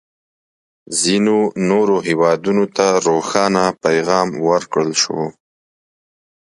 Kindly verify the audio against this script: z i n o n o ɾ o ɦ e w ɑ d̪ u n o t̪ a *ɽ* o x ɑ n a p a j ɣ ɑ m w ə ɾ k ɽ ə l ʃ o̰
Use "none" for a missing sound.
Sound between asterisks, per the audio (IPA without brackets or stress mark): ɾ